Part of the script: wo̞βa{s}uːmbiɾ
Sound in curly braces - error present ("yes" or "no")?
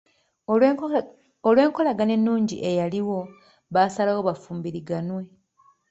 yes